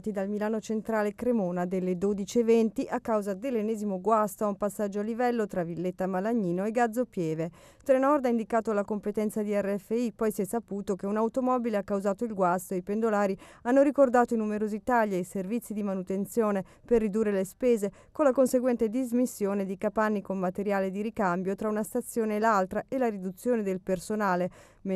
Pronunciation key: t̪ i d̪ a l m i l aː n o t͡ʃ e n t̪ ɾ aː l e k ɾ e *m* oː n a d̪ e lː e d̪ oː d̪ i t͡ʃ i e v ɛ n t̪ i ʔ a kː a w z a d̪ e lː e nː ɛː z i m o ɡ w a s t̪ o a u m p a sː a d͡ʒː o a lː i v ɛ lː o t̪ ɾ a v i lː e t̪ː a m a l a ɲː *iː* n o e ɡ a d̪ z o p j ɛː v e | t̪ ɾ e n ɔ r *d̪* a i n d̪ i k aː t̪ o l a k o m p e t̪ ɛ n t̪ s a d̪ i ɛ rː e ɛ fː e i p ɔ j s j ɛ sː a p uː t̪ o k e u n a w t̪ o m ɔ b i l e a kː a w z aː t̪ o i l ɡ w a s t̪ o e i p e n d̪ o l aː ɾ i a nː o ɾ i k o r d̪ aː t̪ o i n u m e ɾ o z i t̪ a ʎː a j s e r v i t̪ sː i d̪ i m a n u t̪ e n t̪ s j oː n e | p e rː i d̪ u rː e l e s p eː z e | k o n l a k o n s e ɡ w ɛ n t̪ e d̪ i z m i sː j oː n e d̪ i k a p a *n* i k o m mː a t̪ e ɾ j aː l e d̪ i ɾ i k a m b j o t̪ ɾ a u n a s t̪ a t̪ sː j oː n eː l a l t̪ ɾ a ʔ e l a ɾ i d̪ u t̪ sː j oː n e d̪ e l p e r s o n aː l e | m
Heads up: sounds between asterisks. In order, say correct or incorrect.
correct, correct, correct, incorrect

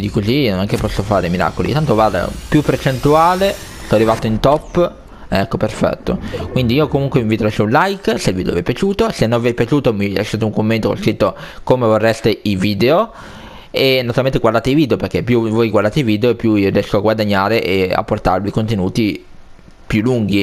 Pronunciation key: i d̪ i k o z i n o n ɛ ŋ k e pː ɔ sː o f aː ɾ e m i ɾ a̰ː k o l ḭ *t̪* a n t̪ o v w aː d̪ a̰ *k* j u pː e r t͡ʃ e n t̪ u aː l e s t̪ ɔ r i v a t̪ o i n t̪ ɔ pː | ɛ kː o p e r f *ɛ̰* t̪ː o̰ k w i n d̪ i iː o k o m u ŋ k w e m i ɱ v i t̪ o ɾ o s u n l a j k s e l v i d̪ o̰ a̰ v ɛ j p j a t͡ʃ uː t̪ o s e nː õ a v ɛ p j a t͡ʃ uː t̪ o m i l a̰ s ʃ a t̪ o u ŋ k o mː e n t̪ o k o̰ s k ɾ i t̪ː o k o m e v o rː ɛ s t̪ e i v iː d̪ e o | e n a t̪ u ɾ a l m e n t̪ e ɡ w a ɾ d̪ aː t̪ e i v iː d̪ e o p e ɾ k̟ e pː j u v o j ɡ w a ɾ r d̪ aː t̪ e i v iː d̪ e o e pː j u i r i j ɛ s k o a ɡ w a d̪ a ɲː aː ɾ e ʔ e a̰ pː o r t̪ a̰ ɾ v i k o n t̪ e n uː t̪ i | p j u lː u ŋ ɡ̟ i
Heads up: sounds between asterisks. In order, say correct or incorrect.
correct, incorrect, correct

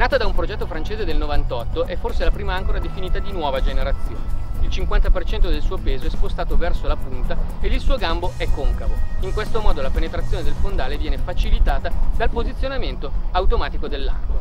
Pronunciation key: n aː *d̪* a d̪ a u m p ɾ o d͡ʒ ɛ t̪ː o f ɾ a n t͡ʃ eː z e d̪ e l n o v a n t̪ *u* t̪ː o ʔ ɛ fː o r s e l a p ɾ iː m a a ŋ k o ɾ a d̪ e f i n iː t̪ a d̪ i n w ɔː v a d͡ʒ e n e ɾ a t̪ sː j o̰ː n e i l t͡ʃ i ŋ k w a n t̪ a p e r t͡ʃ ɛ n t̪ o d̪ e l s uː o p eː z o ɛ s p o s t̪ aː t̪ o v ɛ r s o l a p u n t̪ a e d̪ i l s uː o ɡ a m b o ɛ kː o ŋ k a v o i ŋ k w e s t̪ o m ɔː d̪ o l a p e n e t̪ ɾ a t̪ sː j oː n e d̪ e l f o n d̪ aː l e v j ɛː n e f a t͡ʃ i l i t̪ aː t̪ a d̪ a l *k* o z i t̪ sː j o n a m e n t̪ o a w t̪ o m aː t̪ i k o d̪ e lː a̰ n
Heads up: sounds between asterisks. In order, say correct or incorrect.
incorrect, incorrect, incorrect

